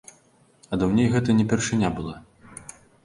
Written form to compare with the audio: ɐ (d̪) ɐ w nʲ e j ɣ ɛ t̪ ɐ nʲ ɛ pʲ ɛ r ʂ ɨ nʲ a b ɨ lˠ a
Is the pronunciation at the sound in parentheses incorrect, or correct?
correct